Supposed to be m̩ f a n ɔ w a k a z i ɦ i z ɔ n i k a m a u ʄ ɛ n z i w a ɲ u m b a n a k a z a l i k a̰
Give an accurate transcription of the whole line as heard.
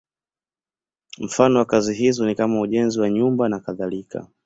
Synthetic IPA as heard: m̩ f a n ɔ w a k a z i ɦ i z ɔ n i k a m a u ʄ ɛ n z i w a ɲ u m b a n a k a ð a l i k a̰